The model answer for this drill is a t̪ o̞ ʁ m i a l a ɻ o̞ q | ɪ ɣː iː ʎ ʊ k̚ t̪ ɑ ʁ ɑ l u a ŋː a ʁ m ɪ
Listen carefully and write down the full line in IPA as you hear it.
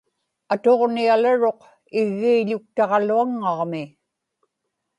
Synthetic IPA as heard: a t̪ o̞ ʁ n i a l a ɻ o̞ q | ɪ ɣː iː ʎ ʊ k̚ t̪ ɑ ʁ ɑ l u a ŋː ɑ ʁ m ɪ